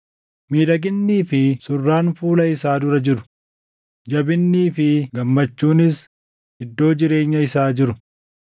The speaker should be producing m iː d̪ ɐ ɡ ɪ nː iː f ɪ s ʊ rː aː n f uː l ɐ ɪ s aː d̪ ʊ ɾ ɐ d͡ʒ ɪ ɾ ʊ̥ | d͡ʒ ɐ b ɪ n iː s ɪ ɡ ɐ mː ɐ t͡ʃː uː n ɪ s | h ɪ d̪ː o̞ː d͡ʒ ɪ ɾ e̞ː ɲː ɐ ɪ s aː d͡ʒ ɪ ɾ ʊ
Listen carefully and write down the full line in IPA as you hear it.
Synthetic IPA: m iː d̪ ɐ ɡ ɪ nː iː f ɪ s ʊ rː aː n f uː l ɐ ɪ s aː d̪ ʊ ɾ ɐ d͡ʒ ɪ ɾ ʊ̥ | d͡ʒ ɐ b ɪ nː iː f ɪ ɡ ɐ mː ɐ t͡ʃː uː n ɪ s | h ɪ d̪ː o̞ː d͡ʒ ɪ ɾ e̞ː ɲː ɐ ɪ s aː d͡ʒ ɪ ɾ ʊ